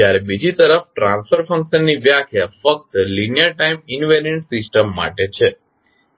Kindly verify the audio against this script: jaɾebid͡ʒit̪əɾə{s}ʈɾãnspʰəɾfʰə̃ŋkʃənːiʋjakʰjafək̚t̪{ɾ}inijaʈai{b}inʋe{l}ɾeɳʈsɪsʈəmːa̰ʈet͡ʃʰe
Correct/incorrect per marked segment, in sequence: incorrect: f, incorrect: l, incorrect: m, incorrect: none

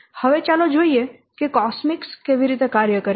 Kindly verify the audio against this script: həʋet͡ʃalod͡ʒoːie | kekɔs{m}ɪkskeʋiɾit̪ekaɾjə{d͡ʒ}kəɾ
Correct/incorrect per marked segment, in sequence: correct, incorrect: none

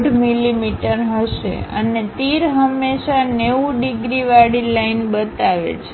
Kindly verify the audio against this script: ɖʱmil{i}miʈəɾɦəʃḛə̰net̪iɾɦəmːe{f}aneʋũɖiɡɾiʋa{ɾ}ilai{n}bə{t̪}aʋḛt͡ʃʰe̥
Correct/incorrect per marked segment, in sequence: correct, incorrect: ʃ, incorrect: ɽ, correct, correct

